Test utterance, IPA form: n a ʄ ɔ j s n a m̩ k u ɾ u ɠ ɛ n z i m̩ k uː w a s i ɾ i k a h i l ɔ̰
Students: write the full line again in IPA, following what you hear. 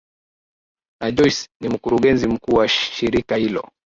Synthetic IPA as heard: n a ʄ ɔ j s n i m̩ k u ɾ u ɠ ɛ n z i m̩ k uː w a ʃ i ɾ i k a h i l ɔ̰